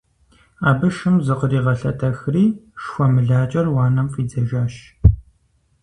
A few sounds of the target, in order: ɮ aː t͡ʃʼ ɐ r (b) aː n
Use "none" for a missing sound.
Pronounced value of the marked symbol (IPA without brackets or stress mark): w